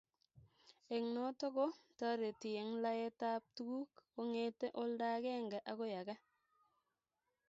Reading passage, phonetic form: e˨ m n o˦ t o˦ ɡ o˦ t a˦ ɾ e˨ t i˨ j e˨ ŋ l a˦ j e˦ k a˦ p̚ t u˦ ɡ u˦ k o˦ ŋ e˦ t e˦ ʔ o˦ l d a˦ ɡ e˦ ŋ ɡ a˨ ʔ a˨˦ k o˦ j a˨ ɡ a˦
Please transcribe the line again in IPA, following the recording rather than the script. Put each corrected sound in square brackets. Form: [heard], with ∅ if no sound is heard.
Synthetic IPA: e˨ [ŋ] n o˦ t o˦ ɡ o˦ t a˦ ɾ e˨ t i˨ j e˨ ŋ l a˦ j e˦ [t] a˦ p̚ t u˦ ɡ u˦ k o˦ ŋ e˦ t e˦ ʔ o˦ l d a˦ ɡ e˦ ŋ ɡ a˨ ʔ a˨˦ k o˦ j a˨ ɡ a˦